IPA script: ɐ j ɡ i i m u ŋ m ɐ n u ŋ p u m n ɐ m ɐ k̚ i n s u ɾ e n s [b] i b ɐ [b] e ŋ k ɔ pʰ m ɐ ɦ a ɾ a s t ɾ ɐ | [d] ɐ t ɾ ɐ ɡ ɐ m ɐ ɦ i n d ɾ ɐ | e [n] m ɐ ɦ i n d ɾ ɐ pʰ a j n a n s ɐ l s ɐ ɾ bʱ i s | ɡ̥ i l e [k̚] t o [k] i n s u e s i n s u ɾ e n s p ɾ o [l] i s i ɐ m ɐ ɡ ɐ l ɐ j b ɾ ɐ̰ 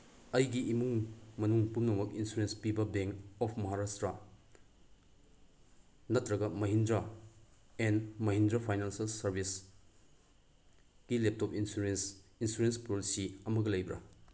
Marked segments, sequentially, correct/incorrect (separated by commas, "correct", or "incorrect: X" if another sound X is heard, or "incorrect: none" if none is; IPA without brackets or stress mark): incorrect: p, correct, incorrect: n, correct, incorrect: p̚, incorrect: p, correct